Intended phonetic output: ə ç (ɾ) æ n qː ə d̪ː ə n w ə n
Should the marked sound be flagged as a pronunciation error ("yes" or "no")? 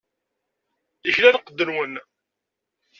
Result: yes